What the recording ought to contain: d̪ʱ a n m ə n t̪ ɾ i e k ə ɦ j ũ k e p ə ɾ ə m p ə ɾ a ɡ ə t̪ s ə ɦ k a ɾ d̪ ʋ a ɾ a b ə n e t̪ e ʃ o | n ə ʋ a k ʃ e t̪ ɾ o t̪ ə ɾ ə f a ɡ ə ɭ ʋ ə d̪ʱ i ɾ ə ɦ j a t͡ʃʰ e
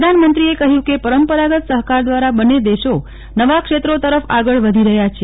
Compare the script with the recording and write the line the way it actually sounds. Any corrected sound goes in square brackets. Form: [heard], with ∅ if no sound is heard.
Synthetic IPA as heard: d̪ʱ a n m ə n t̪ ɾ i e k ə ɦ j ũ k e p ə ɾ ə m p ə ɾ a ɡ ə t̪ s ə ɦ k a ɾ d̪ ʋ a ɾ a b ə n e [d̪] e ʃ o | n ə ʋ a k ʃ e t̪ ɾ o t̪ ə ɾ ə f a ɡ ə ɭ ʋ ə d̪ʱ i ɾ ə ɦ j a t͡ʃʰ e